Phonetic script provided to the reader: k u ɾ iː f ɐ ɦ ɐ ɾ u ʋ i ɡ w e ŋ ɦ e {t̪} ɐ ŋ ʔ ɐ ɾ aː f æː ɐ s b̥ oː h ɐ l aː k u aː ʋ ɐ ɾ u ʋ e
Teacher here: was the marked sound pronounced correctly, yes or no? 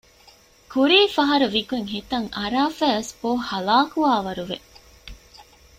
yes